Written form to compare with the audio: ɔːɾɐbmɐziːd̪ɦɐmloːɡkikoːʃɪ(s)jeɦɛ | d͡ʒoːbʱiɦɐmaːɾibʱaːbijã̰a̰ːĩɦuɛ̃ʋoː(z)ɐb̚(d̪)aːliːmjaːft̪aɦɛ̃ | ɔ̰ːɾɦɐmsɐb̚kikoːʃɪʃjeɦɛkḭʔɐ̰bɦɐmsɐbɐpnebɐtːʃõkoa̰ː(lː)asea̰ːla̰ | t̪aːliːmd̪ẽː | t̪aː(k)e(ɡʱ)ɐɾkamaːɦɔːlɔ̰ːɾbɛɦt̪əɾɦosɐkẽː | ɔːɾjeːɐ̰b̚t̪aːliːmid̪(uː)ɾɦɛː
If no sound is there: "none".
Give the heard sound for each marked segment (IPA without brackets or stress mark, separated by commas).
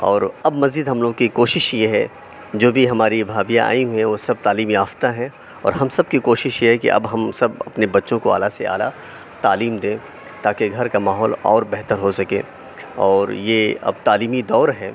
ʃ, s, t̪, l, k, ɡʱ, ɔː